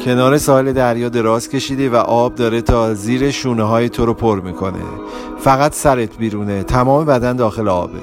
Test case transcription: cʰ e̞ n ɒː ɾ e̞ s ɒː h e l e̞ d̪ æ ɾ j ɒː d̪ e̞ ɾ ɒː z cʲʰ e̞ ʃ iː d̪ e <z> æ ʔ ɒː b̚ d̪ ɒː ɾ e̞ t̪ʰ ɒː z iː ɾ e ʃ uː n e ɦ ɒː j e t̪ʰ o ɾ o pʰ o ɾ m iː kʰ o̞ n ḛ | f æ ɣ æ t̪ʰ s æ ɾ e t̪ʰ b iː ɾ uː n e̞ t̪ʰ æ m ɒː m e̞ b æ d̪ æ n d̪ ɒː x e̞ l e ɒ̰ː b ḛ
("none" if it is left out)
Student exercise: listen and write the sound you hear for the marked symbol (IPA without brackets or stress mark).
v